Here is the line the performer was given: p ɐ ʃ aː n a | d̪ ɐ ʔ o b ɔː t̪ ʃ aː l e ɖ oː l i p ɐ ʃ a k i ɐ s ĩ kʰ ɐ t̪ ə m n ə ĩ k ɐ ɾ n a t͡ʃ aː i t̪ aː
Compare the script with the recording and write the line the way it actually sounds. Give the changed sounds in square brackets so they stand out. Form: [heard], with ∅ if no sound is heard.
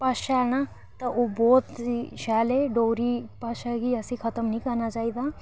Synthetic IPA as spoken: p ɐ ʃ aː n a | [t̪] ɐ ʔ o b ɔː t̪ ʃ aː l e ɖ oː [ɾ] i p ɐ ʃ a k i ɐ s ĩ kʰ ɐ t̪ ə m n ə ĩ k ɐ ɾ n a t͡ʃ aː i [d̪] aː